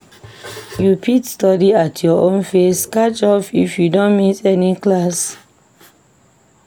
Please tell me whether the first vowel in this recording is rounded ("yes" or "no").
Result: yes